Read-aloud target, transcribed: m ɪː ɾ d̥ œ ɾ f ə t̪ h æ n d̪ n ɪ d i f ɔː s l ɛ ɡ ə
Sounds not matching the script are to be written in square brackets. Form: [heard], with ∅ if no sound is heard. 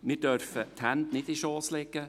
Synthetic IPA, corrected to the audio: m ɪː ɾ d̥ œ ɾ f ə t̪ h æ n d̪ n ɪ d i [ʃ] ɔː s l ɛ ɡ ə

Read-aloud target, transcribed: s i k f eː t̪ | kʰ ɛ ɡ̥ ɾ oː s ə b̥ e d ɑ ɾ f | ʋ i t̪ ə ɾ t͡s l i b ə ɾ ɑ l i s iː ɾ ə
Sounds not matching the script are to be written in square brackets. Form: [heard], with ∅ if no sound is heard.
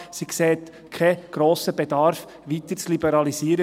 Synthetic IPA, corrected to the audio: s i k [s] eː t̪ | kʰ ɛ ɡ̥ ɾ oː s ə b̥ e d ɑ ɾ f | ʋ i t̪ ə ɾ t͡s l i b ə ɾ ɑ l i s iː ɾ ə

